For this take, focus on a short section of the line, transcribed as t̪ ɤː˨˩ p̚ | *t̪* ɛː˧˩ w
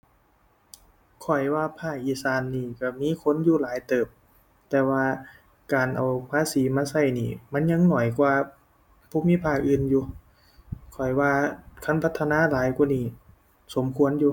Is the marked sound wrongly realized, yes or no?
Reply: no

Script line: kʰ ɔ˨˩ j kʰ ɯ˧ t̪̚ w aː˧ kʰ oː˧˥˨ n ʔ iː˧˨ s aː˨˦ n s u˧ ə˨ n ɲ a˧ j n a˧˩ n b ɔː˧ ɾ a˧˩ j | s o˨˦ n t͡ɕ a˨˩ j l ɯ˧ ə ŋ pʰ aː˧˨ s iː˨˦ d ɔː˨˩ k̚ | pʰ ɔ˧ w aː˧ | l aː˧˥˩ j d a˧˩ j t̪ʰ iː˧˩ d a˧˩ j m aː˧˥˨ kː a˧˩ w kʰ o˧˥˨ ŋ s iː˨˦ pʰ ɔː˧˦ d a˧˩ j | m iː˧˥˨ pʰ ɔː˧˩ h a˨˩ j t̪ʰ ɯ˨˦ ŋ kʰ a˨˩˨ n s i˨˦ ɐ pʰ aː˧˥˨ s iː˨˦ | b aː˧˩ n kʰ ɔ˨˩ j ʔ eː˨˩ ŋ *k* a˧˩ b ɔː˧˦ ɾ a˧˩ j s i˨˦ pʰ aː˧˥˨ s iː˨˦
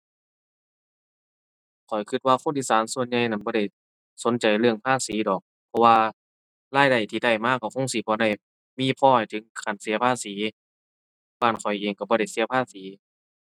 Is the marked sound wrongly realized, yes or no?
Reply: no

